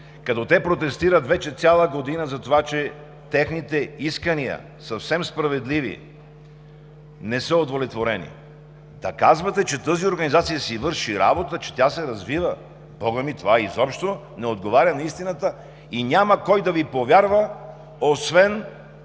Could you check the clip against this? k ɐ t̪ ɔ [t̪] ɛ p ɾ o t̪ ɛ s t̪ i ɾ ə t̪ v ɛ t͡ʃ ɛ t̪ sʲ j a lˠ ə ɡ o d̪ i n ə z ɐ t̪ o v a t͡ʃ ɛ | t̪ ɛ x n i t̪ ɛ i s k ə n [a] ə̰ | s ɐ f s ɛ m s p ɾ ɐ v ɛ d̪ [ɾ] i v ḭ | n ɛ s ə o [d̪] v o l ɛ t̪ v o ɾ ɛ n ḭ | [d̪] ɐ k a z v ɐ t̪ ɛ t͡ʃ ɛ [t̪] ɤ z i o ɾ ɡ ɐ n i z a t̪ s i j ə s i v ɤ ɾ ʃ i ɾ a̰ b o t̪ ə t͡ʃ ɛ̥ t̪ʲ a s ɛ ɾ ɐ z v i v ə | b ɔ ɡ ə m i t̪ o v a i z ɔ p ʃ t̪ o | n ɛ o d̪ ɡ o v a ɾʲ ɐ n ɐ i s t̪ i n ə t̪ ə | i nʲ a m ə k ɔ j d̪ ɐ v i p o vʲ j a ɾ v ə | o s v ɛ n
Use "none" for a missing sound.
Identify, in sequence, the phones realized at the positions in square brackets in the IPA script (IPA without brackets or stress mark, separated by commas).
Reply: t̪, i, l, d̪, d̪, t̪